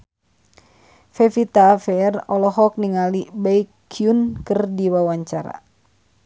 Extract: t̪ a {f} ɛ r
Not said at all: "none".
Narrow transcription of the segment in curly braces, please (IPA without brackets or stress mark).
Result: f